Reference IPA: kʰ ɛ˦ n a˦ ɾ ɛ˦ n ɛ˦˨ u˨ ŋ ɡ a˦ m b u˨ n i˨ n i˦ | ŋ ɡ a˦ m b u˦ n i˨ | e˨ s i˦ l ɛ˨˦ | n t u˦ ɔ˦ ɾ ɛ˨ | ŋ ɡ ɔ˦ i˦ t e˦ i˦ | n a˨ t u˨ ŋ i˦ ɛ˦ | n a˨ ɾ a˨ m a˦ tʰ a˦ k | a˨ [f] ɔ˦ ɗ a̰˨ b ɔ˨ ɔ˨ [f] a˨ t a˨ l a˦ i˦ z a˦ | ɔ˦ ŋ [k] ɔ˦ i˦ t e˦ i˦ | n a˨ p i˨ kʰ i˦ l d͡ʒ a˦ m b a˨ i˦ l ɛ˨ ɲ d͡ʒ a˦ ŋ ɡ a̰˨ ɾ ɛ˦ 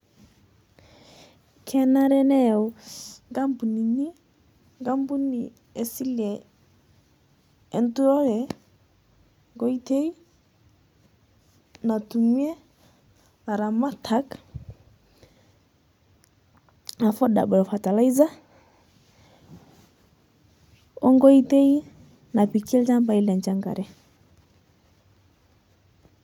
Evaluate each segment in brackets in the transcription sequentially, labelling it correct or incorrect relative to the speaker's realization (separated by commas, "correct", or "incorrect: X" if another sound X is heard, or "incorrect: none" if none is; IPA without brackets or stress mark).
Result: correct, correct, incorrect: ɡ